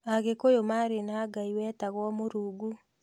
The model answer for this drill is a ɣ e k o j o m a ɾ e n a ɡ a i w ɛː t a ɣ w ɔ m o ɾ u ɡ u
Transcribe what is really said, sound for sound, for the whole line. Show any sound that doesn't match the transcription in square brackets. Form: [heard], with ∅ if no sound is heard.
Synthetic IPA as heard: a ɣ e k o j o m a ɾ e n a ɡ a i w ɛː t a ɣ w ɔ m o ɾ u ɡ u